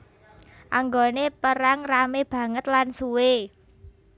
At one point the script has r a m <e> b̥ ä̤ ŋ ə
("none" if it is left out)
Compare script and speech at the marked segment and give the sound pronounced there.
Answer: e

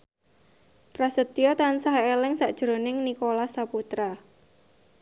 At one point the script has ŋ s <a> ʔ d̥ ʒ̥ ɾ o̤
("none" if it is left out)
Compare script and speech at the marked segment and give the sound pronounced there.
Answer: a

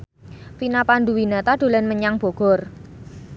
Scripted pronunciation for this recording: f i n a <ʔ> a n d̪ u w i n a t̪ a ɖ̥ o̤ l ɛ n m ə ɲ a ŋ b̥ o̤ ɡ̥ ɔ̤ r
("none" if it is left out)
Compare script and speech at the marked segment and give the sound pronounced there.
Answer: p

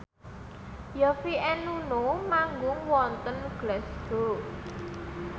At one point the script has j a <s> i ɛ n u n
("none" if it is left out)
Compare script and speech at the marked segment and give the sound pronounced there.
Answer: f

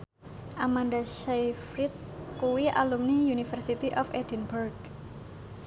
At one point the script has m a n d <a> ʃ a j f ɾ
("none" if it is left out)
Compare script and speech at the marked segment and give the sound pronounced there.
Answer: a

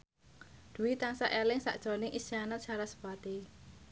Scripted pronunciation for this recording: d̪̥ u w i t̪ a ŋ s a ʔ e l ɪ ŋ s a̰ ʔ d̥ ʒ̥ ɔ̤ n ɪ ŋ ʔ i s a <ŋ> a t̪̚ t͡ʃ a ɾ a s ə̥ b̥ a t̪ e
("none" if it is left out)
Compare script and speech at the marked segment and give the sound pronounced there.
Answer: n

